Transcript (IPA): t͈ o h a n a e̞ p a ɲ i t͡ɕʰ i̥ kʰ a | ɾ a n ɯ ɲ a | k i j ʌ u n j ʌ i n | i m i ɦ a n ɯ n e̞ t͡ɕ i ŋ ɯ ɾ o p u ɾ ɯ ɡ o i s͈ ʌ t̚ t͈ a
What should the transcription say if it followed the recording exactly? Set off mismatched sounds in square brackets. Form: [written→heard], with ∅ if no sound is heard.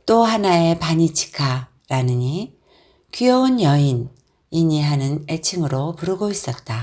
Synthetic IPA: t͈ o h a n a e̞ p a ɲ i t͡ɕʰ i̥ kʰ a | ɾ a n ɯ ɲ [a→i] | k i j ʌ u n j ʌ i n | i [m→ɲ] i ɦ a n ɯ n e̞ [t͡ɕ→t͡ɕʰ] i ŋ ɯ ɾ o p u ɾ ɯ ɡ o i s͈ ʌ t̚ t͈ a